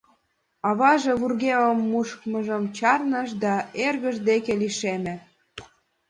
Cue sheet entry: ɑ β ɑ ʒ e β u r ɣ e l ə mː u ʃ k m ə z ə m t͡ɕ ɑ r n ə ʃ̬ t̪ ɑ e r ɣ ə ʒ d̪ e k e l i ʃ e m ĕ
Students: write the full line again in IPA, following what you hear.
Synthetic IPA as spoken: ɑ β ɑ ʒ e β u r ɣ e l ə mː u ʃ k m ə ʒ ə m t͡ɕ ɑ r n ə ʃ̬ d̪ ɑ e r ɣ ə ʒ d̪ e k e l i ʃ e m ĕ